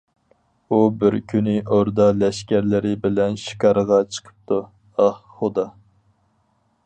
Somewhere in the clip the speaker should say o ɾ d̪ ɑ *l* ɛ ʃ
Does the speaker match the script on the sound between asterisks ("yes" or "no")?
yes